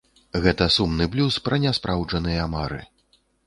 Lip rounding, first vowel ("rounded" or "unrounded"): unrounded